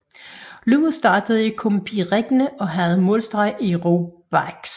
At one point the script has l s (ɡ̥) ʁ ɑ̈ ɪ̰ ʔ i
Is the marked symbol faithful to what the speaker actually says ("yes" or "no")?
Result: no